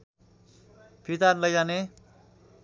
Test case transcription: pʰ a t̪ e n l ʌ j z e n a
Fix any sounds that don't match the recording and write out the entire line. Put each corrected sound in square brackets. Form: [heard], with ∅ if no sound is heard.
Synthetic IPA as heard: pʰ [i] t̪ [a] n l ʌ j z [a] n [e]